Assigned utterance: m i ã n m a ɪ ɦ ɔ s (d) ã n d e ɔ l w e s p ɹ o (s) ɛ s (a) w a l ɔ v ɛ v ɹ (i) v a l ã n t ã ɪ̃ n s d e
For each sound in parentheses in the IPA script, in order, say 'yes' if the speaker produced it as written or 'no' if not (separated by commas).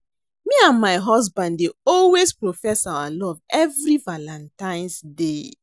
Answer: no, no, yes, yes